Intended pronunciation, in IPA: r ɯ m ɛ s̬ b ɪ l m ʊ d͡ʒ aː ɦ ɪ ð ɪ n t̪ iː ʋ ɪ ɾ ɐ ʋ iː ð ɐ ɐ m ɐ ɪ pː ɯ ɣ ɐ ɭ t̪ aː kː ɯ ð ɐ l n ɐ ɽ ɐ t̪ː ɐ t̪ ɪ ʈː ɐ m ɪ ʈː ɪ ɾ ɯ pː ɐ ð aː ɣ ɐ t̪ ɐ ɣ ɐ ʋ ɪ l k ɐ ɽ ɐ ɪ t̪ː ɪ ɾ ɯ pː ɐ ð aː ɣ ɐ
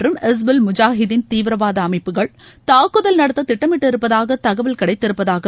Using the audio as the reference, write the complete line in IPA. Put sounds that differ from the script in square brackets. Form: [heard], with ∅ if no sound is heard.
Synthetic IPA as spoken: r ɯ m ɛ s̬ b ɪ l m ʊ d͡ʒ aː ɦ ɪ ð ɪ n t̪ iː ʋ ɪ ɾ ɐ ʋ [aː] ð ɐ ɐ m ɐ ɪ pː ɯ ɣ ɐ ɭ t̪ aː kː ɯ ð ɐ l n ɐ ɽ ɐ t̪ː ɐ t̪ ɪ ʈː ɐ m ɪ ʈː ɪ ɾ ɯ pː ɐ ð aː ɣ ɐ t̪ ɐ ɣ ɐ ʋ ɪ l k ɐ ɽ ɐ ɪ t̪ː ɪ ɾ ɯ pː ɐ ð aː ɣ ɐ

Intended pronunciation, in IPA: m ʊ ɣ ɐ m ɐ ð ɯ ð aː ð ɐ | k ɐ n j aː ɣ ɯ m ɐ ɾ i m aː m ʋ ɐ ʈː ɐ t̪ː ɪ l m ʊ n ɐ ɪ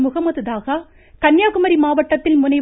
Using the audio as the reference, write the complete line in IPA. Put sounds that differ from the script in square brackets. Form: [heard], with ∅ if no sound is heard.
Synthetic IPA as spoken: m ʊ ɣ ɐ m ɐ ð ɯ ð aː [ɣ] ɐ | k ɐ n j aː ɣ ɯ m ɐ ɾ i m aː [∅] ʋ ɐ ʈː ɐ t̪ː ɪ l m ʊ n ɐ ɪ

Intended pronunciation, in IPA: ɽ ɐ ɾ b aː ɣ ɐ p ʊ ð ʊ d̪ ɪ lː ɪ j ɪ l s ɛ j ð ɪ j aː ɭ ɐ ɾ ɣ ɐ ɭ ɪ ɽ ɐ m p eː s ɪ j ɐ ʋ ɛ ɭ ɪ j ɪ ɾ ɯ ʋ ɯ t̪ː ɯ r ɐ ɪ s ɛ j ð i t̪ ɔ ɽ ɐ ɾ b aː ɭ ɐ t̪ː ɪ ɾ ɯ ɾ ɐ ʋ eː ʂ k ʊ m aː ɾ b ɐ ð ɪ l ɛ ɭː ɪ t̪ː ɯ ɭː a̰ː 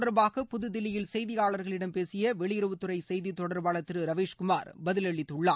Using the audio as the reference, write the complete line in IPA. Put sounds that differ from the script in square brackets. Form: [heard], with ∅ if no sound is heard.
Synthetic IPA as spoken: ɽ ɐ ɾ b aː ɣ ɐ p ʊ ð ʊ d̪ ɪ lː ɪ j ɪ l s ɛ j ð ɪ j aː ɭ ɐ ɾ ɣ ɐ ɭ ɪ ɽ ɐ m p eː s ɪ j ɐ ʋ ɛ ɭ ɪ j ɪ ɾ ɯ ʋ ɯ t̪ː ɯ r ɐ ɪ s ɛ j ð i t̪ ɔ ɽ ɐ ɾ b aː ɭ ɐ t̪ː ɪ ɾ ɯ ɾ ɐ ʋ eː ʂ k ʊ m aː ɾ b ɐ ð ɪ l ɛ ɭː ɪ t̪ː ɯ ɭː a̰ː

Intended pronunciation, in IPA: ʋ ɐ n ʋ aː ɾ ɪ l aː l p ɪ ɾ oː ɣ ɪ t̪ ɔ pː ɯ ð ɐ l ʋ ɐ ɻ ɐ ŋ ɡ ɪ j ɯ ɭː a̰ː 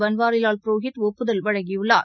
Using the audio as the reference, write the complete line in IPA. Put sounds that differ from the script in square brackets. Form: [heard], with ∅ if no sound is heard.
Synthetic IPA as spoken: ʋ ɐ n ʋ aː ɾ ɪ l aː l p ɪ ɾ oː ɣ ɪ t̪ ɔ pː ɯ ð ɐ l ʋ ɐ ɻ ɐ ŋ ɡ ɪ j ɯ ɭː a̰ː

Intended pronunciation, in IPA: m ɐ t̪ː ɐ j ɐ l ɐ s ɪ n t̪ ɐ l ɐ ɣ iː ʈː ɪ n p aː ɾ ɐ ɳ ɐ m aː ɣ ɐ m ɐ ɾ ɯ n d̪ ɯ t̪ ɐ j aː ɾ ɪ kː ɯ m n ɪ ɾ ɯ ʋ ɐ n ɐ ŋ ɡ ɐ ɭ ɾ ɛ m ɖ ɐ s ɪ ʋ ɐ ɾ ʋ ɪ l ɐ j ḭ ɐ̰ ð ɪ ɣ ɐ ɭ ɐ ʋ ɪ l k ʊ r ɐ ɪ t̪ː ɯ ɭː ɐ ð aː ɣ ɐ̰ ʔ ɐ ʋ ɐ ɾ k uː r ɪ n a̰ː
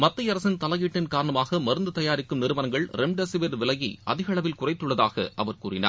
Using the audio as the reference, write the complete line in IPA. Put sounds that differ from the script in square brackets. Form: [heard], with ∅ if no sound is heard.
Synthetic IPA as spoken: m ɐ t̪ː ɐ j ɐ [ɾ] ɐ s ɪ n t̪ ɐ l ɐ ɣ iː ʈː ɪ n [k] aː ɾ ɐ ɳ ɐ m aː ɣ ɐ m ɐ ɾ ɯ n d̪ ɯ t̪ ɐ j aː ɾ ɪ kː ɯ m n ɪ ɾ ɯ ʋ ɐ n ɐ ŋ ɡ ɐ ɭ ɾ ɛ m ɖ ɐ s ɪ ʋ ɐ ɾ ʋ ɪ l ɐ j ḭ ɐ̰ ð ɪ ɣ ɐ ɭ ɐ ʋ ɪ l k ʊ r ɐ ɪ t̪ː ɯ ɭː ɐ ð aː ɣ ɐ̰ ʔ ɐ ʋ ɐ ɾ k uː r ɪ n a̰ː

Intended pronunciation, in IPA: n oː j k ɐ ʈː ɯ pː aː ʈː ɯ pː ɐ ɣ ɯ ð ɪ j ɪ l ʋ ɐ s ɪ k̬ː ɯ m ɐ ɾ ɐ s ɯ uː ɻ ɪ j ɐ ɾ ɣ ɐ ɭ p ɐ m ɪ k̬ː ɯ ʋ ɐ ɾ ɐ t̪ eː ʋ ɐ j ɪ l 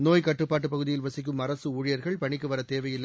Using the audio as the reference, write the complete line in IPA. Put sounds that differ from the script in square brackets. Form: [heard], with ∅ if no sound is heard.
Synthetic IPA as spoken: n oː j k ɐ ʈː ɯ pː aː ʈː ɯ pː ɐ ɣ ɯ ð ɪ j ɪ l ʋ ɐ s ɪ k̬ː ɯ m ɐ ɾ ɐ s ɯ uː ɻ ɪ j ɐ ɾ ɣ ɐ ɭ p ɐ [ɳ] ɪ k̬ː ɯ ʋ ɐ ɾ ɐ t̪ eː ʋ ɐ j ɪ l

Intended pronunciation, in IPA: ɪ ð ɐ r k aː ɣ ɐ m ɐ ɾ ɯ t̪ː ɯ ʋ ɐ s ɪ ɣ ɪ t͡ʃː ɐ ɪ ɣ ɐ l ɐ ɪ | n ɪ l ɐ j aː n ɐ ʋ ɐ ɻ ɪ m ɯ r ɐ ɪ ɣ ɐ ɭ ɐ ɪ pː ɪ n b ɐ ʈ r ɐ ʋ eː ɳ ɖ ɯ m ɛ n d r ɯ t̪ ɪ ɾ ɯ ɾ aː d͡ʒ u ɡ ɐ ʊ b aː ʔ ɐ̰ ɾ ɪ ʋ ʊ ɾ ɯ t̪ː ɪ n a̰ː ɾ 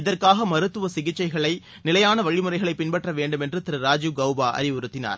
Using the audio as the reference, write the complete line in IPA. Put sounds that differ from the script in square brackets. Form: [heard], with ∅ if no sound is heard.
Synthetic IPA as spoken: ɪ ð ɐ r k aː ɣ ɐ m ɐ ɾ ɯ t̪ː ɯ ʋ ɐ s ɪ ɣ ɪ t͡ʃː ɐ ɪ ɣ ɐ [ɭ] ɐ ɪ | n ɪ l ɐ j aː n ɐ ʋ ɐ ɻ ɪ m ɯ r ɐ ɪ ɣ ɐ ɭ ɐ ɪ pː ɪ n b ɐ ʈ r ɐ ʋ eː ɳ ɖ ɯ m ɛ n d r ɯ t̪ ɪ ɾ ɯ ɾ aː d͡ʒ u ɡ ɐ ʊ b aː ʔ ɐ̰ ɾ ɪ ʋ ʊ ɾ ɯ t̪ː ɪ n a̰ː ɾ

